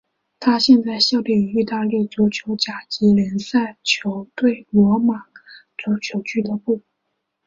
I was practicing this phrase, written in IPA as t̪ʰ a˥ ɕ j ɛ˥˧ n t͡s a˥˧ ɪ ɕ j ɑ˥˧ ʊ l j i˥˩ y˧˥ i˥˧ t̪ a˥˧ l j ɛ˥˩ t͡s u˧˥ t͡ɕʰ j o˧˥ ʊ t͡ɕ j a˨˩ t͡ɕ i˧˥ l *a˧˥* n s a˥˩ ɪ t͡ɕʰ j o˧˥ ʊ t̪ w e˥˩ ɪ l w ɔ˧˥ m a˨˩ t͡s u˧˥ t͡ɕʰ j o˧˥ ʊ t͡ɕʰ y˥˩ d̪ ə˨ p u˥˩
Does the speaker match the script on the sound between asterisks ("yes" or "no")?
no